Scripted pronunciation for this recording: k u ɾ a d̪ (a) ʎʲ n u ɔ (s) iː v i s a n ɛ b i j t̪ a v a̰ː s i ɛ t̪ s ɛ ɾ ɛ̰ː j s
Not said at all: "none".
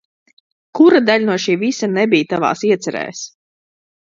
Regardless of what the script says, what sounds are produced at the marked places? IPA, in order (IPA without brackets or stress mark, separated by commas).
a, ʃ